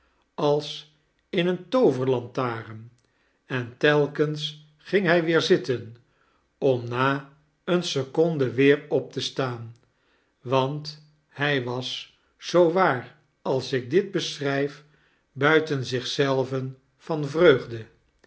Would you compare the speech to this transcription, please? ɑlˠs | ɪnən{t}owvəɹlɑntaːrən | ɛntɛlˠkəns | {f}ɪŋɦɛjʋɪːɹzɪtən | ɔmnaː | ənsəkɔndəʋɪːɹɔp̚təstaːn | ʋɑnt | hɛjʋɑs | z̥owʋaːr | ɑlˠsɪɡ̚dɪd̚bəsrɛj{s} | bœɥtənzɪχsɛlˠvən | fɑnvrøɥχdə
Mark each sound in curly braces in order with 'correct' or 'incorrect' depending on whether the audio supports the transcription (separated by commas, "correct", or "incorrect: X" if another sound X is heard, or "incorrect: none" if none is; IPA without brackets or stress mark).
correct, incorrect: χ, incorrect: f